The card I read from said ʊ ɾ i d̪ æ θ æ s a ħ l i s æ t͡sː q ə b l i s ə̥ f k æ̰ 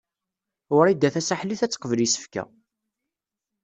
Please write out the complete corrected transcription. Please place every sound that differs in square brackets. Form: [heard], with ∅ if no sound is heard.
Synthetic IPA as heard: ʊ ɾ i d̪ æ θ æ s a ħ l i [θ] æ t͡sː q ə [v] l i s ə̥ f k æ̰